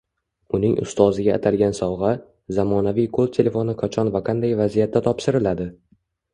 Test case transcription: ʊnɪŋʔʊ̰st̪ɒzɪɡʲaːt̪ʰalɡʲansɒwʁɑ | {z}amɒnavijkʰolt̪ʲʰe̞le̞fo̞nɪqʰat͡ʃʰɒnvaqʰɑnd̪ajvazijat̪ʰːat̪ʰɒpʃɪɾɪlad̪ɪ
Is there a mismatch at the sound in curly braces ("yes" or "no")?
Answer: no